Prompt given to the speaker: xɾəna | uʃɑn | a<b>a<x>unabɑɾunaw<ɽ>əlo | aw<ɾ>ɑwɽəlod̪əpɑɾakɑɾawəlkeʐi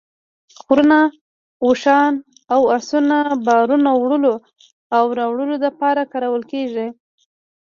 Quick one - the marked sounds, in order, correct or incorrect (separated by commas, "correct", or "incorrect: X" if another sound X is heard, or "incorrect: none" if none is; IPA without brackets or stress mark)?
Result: incorrect: w, incorrect: s, correct, correct